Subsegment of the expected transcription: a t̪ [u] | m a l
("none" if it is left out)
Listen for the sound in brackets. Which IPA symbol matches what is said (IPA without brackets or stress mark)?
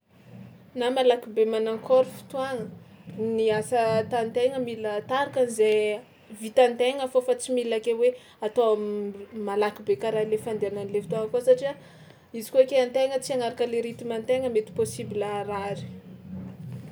o